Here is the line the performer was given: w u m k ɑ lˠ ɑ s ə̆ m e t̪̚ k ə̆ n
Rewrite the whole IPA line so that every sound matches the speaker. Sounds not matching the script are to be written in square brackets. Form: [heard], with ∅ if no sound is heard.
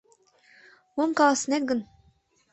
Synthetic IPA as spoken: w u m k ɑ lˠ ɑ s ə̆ [n] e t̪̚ [ɡ] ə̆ n